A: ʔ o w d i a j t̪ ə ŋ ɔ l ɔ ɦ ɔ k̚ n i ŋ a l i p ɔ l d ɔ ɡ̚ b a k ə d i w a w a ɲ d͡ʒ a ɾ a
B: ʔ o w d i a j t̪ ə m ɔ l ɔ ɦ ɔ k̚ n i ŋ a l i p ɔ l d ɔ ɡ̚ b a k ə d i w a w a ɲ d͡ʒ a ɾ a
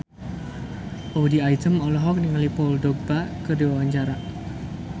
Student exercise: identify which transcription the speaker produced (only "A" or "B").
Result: B